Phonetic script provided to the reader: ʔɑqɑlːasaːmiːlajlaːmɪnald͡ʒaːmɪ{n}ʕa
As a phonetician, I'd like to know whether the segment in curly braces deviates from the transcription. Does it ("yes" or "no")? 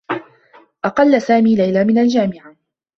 yes